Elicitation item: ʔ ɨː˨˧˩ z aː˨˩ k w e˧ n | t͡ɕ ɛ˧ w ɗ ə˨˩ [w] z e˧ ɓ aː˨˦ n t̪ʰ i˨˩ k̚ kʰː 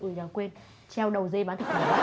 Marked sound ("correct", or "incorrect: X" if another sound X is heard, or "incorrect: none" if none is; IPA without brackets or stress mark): correct